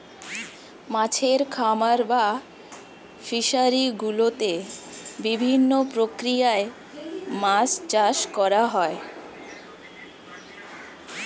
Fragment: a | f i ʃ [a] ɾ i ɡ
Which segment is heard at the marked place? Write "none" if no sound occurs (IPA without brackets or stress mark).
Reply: a